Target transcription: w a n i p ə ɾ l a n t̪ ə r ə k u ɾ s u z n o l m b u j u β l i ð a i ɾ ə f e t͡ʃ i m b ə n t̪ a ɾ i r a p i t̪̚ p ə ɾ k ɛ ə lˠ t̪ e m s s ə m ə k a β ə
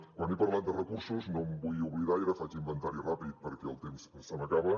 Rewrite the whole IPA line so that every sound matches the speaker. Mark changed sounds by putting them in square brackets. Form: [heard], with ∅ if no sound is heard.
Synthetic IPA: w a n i p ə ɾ l a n [d̪] ə r ə k u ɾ s u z n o [∅] m b u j u β l i ð a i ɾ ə f [a] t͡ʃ i m b ə n t̪ a ɾ i r a p i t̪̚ p ə ɾ k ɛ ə lˠ t̪ e m s s ə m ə k a β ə